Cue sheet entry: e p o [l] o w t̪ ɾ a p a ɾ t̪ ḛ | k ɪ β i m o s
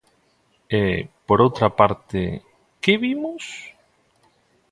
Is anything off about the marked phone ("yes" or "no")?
yes